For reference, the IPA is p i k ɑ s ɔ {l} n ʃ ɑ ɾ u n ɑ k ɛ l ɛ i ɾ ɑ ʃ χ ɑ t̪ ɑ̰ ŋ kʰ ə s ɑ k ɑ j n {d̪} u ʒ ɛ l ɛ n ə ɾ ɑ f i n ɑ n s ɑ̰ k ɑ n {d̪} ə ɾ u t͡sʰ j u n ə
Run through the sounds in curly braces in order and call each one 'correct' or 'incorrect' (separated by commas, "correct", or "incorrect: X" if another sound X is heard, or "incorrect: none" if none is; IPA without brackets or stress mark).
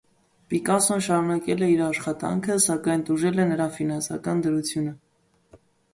incorrect: none, incorrect: t̪, correct